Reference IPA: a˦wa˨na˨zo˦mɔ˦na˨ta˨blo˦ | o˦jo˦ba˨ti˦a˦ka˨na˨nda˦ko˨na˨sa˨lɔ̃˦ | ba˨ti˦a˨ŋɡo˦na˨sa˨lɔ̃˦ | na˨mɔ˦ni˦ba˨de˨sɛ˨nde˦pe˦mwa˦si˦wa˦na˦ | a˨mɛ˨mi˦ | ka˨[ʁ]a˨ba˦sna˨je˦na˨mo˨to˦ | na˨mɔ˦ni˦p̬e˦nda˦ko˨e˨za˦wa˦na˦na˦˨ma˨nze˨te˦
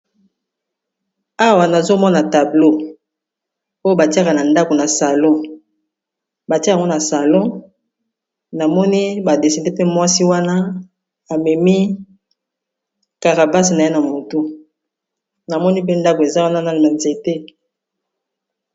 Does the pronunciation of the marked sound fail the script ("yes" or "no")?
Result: no